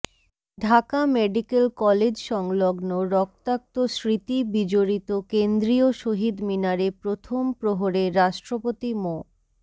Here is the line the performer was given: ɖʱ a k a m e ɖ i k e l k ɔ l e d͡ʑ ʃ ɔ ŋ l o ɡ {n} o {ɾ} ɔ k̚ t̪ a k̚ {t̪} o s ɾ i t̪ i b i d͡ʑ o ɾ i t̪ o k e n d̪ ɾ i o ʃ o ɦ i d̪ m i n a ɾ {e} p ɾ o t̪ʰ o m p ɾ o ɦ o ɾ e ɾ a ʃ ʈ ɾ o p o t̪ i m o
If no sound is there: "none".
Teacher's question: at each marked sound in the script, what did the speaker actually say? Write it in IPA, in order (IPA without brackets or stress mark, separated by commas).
n, ɾ, t̪, e